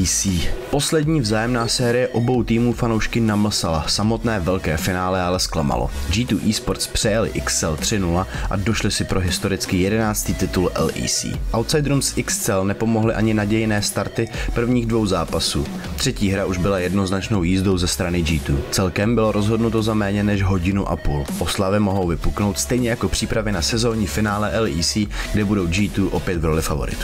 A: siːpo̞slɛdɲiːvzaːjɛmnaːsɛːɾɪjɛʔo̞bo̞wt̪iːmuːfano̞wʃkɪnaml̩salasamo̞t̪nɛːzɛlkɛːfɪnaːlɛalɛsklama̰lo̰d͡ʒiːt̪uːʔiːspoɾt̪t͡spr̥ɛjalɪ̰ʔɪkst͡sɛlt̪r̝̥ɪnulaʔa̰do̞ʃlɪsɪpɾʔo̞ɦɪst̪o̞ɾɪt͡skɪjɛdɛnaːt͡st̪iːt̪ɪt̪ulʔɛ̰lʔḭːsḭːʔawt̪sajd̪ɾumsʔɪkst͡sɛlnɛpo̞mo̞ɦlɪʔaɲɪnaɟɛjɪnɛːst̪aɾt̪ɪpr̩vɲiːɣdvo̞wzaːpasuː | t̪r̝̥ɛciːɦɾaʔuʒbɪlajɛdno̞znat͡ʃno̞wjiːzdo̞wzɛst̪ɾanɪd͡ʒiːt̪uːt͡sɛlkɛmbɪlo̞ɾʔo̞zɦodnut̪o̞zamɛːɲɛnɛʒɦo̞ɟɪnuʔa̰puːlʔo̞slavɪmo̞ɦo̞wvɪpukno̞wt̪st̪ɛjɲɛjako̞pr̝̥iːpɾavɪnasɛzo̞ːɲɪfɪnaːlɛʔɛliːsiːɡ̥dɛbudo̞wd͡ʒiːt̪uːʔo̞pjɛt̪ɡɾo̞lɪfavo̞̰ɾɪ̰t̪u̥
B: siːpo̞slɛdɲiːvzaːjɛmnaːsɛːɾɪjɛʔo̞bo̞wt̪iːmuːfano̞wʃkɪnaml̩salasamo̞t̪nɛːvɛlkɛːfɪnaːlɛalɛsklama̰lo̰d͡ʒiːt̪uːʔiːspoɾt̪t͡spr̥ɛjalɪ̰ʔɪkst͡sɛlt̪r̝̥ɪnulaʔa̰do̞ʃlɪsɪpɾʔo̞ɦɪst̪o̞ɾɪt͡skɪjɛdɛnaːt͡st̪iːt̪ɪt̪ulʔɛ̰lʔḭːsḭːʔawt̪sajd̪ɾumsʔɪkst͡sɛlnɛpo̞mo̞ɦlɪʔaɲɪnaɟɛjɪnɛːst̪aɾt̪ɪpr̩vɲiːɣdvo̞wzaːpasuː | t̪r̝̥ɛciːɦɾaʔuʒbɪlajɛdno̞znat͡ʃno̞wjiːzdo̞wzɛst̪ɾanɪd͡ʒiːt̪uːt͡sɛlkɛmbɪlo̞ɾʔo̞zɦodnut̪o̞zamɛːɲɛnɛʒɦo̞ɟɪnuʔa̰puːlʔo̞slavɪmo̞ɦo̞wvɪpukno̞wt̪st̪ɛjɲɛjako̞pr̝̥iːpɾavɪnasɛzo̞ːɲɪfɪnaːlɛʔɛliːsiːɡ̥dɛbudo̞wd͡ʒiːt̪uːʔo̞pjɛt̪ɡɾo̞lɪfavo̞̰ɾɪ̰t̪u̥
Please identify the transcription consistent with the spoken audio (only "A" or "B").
B